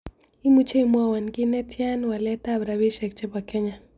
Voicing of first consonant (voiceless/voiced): voiced